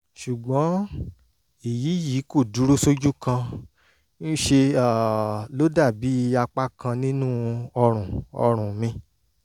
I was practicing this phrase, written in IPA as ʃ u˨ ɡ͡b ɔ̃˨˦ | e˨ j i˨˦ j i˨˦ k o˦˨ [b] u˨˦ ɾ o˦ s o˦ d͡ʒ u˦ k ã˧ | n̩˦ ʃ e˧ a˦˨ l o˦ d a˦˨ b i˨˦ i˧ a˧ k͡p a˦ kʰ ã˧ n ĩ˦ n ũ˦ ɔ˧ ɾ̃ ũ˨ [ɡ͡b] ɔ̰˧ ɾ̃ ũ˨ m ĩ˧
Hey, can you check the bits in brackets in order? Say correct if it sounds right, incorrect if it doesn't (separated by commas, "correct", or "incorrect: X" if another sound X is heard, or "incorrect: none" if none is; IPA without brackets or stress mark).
incorrect: d, incorrect: none